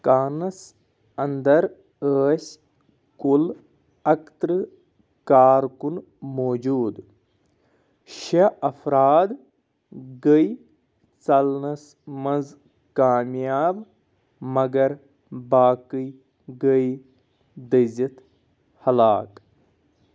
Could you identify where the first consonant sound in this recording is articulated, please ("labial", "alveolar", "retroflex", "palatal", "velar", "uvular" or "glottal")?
velar